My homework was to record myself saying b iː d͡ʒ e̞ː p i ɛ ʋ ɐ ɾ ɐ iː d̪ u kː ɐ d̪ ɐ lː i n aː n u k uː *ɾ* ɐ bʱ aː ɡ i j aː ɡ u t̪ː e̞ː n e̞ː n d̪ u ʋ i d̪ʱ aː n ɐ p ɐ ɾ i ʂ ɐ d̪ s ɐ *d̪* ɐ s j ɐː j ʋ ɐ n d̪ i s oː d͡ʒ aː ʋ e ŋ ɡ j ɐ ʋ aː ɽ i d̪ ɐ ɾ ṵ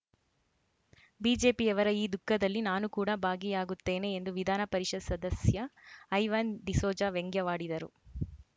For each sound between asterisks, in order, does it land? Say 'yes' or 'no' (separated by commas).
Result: no, yes